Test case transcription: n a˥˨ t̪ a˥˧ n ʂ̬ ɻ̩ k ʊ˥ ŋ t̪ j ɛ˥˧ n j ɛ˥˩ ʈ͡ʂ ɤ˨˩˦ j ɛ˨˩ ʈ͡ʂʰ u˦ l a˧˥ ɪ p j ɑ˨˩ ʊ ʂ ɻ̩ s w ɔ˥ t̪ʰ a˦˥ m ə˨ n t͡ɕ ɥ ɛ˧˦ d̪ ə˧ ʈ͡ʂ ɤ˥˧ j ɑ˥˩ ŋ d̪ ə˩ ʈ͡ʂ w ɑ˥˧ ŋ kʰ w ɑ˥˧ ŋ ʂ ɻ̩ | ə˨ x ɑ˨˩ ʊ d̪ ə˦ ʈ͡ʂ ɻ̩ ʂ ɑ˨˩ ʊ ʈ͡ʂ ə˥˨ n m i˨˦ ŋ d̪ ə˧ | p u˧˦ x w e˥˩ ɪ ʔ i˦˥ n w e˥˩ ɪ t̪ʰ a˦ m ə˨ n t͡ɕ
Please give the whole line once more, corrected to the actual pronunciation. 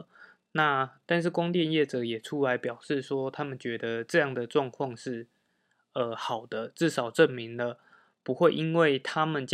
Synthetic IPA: n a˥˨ t̪ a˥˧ n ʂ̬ ɻ̩ k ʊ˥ ŋ t̪ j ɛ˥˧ n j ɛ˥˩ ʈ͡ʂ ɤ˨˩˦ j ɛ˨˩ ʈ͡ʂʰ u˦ l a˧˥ ɪ p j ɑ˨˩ ʊ ʂ ɻ̩ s w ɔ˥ t̪ʰ a˦˥ m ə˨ n t͡ɕ ɥ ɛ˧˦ d̪ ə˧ ʈ͡ʂ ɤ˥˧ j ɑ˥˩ ŋ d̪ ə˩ ʈ͡ʂ w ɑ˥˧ ŋ kʰ w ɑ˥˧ ŋ ʂ ɻ̩ | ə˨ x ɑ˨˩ ʊ d̪ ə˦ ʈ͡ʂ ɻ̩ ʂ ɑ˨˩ ʊ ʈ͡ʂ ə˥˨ n m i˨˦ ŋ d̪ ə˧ | p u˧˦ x w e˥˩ ɪ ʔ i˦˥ n w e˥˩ ɪ t̪ʰ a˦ m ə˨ n t͡ɕ